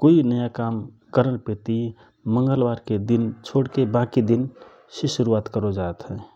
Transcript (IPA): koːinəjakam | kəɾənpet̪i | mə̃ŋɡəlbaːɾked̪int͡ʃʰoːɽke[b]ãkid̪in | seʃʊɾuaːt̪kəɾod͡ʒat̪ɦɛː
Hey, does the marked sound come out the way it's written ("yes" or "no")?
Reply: yes